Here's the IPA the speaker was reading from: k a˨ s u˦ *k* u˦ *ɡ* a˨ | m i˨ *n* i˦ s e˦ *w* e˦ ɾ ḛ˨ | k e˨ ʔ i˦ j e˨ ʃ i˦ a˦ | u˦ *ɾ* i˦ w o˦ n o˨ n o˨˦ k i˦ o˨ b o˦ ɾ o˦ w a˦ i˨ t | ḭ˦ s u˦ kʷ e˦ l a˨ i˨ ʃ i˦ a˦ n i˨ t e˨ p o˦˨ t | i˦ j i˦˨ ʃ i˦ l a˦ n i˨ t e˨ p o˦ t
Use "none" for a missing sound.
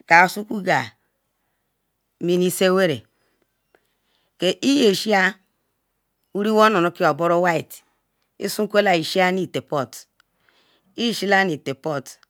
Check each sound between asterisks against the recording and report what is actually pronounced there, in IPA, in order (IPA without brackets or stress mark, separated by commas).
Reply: k, ɡ, n, w, ɾ